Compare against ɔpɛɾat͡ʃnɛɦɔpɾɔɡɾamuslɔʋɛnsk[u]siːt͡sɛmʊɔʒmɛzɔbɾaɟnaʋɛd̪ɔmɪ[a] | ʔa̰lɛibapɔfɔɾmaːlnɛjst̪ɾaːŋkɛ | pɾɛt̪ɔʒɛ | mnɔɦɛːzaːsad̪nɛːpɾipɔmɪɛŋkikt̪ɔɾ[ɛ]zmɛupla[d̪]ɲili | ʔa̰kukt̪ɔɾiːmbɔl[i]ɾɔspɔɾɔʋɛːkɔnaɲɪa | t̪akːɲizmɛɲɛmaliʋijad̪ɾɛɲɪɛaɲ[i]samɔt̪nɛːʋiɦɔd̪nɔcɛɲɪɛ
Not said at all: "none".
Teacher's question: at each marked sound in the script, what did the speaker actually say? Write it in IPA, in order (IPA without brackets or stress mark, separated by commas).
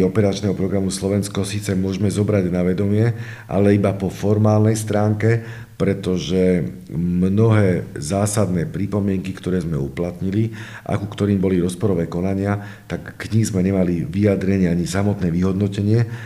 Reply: ɔ, ɛ, ɛː, t̪, i, i